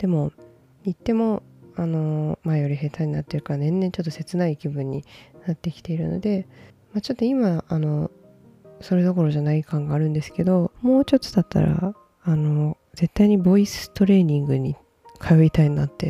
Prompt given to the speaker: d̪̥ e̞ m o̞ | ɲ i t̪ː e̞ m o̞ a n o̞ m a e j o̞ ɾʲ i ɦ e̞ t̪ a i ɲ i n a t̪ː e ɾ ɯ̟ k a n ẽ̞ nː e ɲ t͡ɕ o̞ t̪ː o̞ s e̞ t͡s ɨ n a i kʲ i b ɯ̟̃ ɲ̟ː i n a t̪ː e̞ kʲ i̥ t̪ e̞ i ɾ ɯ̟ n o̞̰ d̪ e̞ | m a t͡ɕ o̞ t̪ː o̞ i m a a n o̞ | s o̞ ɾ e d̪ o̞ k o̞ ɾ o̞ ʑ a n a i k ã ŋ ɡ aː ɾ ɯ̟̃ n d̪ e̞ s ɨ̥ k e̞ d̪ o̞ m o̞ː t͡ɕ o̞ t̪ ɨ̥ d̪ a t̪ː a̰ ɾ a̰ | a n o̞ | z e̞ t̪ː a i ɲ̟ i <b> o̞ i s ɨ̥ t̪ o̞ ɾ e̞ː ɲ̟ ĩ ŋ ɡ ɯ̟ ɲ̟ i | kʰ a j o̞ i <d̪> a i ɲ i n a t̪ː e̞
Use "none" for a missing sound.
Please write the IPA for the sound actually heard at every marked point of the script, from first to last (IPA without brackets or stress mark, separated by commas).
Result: b, t̪